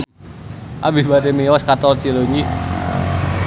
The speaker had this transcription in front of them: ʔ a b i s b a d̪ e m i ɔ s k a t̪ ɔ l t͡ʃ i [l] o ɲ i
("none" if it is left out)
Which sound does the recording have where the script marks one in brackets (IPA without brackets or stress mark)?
l